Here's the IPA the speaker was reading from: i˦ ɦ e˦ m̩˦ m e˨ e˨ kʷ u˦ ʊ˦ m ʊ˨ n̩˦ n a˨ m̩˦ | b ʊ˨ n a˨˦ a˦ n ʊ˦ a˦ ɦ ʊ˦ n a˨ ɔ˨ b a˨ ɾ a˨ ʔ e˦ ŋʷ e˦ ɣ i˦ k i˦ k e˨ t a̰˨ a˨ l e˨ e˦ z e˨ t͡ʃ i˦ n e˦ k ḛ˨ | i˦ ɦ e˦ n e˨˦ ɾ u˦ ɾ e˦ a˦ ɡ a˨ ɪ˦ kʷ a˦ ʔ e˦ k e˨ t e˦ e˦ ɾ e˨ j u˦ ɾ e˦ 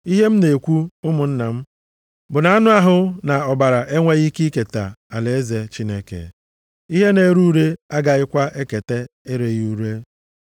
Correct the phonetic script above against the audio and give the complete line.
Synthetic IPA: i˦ ɦ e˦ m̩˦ n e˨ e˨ kʷ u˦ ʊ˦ m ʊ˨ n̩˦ n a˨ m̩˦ | b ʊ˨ n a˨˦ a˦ n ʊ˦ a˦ ɦ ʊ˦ n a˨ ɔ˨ b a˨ ɾ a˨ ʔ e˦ ŋʷ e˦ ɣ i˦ k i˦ k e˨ t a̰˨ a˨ l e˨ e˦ z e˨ t͡ʃ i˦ n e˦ k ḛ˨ | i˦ ɦ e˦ n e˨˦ ɾ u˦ ɾ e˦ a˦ ɡ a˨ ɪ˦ kʷ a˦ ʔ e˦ k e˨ t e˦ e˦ ɾ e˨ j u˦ ɾ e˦

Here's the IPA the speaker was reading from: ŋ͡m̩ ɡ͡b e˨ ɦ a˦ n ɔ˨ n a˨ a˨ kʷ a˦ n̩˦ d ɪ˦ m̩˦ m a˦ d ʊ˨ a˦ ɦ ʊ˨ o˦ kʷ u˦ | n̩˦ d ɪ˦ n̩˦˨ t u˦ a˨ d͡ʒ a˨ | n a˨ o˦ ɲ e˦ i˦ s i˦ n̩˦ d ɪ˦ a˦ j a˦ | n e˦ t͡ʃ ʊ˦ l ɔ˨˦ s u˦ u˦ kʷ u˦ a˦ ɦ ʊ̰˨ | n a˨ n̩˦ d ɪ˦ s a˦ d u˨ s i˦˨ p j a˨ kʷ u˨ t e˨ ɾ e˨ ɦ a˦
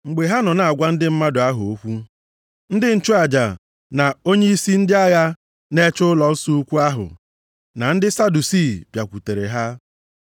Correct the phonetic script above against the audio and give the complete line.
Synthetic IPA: ŋ͡m̩ ɡ͡b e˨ ɦ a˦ n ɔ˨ n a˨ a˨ ɡʷ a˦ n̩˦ d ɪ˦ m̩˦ m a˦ d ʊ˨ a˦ ɦ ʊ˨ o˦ kʷ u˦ | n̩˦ d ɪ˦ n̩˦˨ t͡ʃ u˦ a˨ d͡ʒ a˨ | n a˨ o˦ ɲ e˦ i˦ s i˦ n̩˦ d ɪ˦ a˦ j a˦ | n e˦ t͡ʃ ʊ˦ l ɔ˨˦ s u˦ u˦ kʷ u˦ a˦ ɦ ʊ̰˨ | n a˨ n̩˦ d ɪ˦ s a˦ d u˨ s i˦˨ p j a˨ kʷ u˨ t e˨ ɾ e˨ ɦ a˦

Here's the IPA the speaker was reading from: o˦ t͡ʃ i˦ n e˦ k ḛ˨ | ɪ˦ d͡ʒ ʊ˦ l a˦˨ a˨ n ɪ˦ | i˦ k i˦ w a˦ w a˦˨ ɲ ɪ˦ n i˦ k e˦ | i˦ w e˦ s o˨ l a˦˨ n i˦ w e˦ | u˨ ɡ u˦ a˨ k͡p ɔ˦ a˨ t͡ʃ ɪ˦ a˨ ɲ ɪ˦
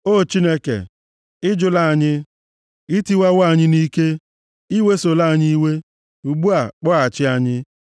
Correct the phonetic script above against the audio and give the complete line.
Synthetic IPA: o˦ t͡ʃ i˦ n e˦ k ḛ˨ | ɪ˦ d͡ʒ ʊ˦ l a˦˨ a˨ ɲ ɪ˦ | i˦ t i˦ w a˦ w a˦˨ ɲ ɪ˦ n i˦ k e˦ | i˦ w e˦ s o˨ l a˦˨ ɲ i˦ w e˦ | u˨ ɡ͡b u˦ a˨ k͡p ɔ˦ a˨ t͡ʃ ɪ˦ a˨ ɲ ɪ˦

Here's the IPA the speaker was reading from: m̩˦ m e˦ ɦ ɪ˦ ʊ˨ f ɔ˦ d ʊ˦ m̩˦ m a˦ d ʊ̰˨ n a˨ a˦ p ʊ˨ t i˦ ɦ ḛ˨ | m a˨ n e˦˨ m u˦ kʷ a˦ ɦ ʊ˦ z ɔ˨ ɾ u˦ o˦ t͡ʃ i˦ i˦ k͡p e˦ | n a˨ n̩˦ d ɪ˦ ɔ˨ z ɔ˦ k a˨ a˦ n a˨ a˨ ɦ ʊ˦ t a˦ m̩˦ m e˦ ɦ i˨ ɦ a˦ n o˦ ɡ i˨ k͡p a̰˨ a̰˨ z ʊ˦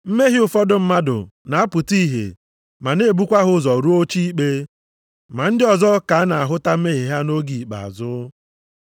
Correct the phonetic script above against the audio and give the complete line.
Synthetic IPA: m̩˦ m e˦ ɦ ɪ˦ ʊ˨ f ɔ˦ d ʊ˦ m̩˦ m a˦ d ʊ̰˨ n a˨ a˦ p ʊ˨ t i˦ ɦ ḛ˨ | m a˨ n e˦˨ b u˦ kʷ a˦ ɦ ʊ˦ z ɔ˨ ɾ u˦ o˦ t͡ʃ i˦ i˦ k͡p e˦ | m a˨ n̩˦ d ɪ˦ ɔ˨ z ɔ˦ k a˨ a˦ n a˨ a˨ ɦ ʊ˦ t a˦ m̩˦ m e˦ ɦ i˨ ɦ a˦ n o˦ ɡ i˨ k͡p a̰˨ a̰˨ z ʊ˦

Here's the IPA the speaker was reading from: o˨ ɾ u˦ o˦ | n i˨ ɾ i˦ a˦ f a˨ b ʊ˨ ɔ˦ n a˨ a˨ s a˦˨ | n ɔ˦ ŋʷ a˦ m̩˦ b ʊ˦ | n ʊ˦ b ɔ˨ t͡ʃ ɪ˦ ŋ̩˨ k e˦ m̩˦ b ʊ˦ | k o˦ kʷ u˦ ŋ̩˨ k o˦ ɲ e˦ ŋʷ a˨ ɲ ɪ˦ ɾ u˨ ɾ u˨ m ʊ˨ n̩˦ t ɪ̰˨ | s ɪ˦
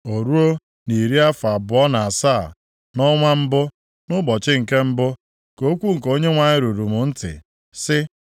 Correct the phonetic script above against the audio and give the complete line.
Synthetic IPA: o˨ ɾ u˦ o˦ | n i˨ ɾ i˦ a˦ f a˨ b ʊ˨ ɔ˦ n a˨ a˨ s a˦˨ | n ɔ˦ ŋʷ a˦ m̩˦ b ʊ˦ | n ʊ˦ b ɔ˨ t͡ʃ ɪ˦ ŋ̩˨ k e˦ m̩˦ b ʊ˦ | k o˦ kʷ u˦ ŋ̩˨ k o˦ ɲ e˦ ŋʷ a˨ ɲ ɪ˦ ɾ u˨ ɾ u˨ m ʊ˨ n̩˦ t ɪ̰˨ | s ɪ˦

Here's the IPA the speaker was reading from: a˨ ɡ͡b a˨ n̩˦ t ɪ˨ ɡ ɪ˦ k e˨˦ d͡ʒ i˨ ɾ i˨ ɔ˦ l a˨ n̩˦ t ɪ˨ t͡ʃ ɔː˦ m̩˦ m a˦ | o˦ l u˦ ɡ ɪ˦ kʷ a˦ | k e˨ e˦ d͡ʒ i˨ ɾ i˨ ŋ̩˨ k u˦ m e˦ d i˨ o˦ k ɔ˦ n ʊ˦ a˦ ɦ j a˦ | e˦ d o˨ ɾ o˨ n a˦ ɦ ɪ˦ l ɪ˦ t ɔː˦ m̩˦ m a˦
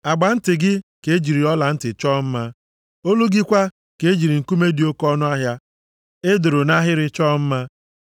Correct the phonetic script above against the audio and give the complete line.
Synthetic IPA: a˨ ɡ͡b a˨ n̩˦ t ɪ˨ ɡ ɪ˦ k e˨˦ d͡ʒ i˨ ɾ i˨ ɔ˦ l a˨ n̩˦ t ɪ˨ t͡ʃ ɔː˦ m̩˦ m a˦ | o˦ l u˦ ɡ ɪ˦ kʷ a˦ | k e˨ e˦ d͡ʒ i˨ ɾ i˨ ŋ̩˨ k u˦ m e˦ d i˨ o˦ k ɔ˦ n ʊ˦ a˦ ɦ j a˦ | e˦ d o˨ ɾ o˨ n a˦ ɦ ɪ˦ ɾ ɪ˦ t͡ʃ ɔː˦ m̩˦ m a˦

